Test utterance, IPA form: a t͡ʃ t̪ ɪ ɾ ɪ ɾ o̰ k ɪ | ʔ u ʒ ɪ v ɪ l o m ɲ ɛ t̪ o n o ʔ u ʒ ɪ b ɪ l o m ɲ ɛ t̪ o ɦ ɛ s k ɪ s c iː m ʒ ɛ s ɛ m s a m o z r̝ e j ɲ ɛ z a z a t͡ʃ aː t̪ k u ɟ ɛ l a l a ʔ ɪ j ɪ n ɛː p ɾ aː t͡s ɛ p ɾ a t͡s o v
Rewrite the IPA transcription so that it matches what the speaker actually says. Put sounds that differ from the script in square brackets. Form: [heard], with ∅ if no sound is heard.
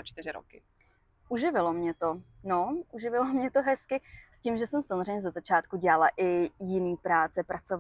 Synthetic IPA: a t͡ʃ t̪ ɪ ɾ ɪ ɾ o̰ k ɪ | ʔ u ʒ ɪ v ɪ l o m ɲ ɛ t̪ o n o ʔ u ʒ ɪ [v] ɪ l o m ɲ ɛ t̪ o ɦ ɛ s k ɪ s c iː m ʒ ɛ s ɛ m s a m o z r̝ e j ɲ ɛ z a z a t͡ʃ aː t̪ k u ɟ ɛ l a l a ʔ ɪ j ɪ n [iː] p ɾ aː t͡s ɛ p ɾ a t͡s o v